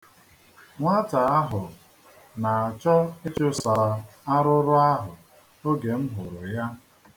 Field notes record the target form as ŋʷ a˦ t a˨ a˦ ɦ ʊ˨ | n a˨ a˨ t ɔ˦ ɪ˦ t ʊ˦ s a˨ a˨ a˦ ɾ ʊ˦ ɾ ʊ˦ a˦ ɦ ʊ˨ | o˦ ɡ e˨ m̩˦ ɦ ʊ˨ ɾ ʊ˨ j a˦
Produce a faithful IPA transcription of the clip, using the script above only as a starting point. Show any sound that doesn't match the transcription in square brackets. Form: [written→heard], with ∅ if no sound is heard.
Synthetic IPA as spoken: ŋʷ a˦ t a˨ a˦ ɦ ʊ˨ | n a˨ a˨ [t→t͡ʃ] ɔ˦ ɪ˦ [t→t͡ʃ] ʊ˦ s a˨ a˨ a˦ ɾ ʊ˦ ɾ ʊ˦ a˦ ɦ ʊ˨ | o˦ ɡ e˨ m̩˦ ɦ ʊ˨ ɾ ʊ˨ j a˦